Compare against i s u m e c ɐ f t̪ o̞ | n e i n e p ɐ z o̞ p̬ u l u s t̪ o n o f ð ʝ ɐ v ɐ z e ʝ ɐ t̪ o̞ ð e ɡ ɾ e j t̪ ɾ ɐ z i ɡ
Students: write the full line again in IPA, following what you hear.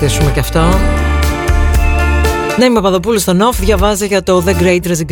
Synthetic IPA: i s u m e c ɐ f t̪ o̞ | n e i m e p ɐ ð o̞ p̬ u l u s t̪ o n o f ð ʝ ɐ v ɐ z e ʝ ɐ t̪ o̞ ð e ɡ ɾ e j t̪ ɾ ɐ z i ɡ